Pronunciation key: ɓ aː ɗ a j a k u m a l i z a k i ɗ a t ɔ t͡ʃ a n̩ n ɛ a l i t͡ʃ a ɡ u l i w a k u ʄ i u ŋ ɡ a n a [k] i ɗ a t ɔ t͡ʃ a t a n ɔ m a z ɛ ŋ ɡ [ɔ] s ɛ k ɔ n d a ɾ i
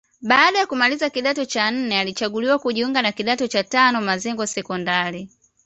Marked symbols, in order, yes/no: yes, yes

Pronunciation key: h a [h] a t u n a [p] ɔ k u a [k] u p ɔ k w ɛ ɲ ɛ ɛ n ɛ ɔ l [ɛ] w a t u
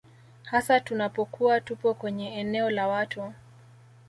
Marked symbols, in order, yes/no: no, yes, no, no

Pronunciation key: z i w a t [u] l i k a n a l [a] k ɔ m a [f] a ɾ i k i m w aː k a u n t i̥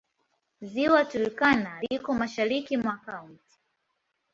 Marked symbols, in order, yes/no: yes, no, no

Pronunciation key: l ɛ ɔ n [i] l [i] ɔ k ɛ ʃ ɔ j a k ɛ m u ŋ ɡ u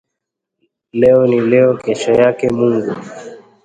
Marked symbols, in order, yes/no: yes, no

